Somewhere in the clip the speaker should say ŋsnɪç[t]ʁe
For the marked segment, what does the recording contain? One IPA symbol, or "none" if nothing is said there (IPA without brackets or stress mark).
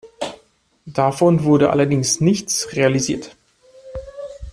t͡s